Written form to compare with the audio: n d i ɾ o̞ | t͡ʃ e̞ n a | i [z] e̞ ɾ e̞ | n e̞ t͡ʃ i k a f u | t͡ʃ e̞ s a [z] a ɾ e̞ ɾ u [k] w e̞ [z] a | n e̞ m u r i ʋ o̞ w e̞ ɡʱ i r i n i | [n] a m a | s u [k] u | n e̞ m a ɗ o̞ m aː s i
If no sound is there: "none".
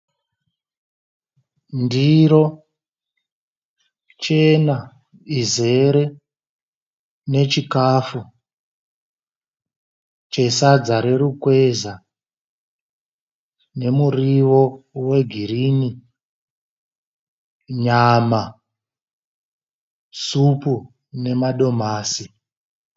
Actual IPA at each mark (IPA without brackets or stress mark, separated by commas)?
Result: z, d͡z, k, z, ɲ, p